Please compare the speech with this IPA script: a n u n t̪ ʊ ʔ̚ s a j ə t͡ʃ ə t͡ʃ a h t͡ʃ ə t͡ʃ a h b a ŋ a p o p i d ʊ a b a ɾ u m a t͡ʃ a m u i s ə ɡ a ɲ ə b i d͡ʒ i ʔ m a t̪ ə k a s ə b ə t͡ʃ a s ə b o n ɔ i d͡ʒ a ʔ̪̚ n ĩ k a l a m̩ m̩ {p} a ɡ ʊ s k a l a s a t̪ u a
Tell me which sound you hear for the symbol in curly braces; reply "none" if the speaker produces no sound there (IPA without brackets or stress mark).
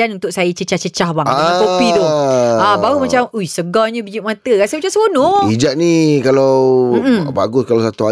b